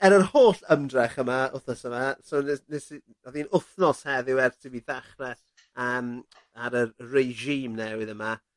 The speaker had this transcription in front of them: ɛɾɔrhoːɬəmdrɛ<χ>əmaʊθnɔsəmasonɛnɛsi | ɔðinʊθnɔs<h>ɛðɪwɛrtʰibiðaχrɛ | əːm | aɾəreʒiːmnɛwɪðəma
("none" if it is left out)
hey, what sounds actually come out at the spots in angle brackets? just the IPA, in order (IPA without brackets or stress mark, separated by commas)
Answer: χ, h